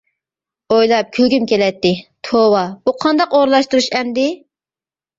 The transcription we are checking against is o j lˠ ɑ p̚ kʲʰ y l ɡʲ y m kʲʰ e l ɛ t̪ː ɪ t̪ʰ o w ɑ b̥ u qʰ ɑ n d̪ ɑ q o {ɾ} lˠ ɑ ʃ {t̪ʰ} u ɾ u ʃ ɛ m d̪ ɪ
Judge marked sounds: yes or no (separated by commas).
yes, no